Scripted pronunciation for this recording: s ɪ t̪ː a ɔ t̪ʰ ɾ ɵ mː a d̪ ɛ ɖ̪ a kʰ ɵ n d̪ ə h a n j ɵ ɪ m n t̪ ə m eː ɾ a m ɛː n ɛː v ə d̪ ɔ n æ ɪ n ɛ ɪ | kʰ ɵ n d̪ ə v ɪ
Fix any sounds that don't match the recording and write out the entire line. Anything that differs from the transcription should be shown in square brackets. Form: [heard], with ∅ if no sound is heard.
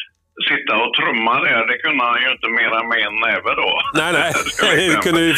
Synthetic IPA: s ɪ t̪ː a ɔ t̪ʰ ɾ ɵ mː a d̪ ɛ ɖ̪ [ɛ] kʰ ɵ n d̪ ə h a n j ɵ ɪ [∅] n t̪ ə m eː ɾ a m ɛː n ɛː v ə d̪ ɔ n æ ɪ n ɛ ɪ | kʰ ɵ n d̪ ə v ɪ